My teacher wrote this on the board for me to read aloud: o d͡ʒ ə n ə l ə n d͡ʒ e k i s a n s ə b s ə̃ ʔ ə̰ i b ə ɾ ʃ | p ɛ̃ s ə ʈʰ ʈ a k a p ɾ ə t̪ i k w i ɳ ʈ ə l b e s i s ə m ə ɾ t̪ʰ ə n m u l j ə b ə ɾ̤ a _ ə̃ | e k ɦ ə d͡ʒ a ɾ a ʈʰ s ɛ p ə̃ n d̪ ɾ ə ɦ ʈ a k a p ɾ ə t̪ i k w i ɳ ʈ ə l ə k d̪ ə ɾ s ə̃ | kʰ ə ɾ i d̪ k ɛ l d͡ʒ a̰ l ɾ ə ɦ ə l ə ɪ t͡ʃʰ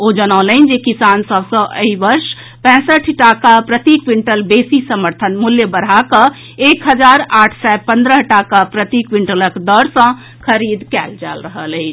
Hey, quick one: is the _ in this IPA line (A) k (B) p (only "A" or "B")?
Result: A